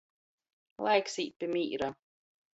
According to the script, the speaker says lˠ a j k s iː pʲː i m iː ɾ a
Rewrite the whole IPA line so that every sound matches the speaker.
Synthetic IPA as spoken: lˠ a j k s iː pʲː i m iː ɾ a